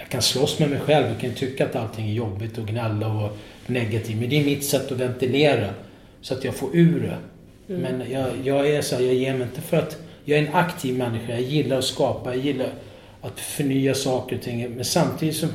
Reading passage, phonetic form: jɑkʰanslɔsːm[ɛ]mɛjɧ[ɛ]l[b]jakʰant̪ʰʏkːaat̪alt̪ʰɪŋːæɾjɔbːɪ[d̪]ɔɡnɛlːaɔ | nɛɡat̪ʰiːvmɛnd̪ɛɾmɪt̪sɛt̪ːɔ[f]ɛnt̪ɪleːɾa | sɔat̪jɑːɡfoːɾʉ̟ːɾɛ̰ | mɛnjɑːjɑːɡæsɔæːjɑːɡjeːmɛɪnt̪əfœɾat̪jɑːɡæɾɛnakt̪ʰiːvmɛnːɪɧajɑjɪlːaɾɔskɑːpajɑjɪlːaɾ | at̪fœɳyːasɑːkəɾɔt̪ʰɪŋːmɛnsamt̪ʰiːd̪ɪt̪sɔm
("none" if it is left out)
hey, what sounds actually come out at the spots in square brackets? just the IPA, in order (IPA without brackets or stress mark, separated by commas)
ɛ, ɛ, v, t̪, v